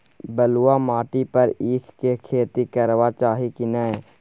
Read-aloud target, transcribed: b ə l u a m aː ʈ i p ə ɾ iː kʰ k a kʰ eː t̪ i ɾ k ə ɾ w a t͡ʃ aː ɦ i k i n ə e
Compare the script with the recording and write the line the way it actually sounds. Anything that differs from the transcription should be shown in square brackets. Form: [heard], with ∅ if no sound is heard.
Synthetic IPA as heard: b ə l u a m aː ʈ i p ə ɾ iː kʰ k [e] kʰ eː t̪ i [∅] k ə ɾ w a t͡ʃ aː ɦ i k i n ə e